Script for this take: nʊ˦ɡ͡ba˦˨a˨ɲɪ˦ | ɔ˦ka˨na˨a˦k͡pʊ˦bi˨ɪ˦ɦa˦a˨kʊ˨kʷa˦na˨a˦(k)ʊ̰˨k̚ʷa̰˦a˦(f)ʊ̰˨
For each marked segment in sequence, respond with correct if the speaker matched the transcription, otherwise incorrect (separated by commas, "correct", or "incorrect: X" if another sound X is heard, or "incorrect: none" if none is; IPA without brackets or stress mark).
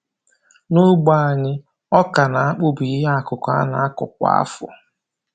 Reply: correct, correct